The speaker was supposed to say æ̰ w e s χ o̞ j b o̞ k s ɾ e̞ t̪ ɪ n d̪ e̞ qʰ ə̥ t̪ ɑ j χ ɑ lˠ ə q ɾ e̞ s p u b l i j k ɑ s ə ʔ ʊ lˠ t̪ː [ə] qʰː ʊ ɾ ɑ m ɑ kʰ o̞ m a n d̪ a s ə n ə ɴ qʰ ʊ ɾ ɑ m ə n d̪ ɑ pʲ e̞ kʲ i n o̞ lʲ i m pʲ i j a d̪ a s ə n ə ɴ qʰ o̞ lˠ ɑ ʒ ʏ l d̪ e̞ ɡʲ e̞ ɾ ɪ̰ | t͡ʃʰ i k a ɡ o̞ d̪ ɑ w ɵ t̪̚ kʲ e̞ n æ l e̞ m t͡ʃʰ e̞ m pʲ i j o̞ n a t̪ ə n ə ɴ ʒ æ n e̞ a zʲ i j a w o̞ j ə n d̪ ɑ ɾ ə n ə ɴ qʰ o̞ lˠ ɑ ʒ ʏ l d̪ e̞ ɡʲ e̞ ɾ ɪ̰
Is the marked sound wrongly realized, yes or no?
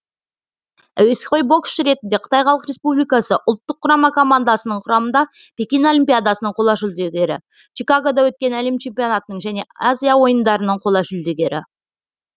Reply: no